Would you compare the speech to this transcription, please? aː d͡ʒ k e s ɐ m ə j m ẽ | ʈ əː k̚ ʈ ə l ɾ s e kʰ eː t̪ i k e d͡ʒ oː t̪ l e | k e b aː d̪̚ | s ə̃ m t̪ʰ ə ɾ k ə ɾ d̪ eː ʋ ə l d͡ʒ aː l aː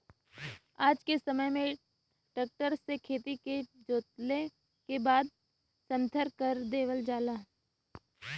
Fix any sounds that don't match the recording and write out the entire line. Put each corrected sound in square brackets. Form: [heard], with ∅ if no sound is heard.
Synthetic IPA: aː d͡ʒ k e s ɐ m ə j m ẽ | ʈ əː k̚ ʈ ə [∅] ɾ s e kʰ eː t̪ i k e d͡ʒ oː t̪ l e | k e b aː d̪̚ | s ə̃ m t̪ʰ ə ɾ k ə ɾ d̪ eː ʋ ə l d͡ʒ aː l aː